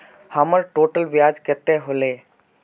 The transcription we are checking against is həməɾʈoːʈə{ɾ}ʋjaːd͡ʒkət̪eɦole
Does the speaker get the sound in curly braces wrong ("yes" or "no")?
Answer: yes